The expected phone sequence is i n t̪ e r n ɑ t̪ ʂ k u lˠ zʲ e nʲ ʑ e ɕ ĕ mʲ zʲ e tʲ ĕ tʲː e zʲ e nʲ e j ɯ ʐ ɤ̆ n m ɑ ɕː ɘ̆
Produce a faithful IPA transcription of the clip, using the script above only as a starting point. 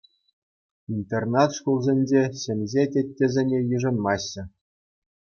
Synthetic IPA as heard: i n t̪ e r n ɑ t̪ ʂ k u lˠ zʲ e nʲ d͡ʑ e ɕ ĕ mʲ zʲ e tʲ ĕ tʲː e zʲ e nʲ e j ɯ ʐ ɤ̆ n m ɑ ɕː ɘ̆